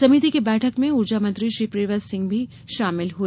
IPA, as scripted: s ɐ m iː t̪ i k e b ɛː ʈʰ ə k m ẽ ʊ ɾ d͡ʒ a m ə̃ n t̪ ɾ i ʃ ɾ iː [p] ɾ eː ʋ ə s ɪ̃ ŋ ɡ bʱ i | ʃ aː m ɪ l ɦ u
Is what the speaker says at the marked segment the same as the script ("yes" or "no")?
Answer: yes